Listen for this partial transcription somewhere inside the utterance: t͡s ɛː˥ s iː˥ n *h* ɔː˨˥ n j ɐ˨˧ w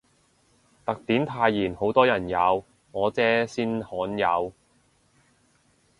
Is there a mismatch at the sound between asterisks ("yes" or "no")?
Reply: no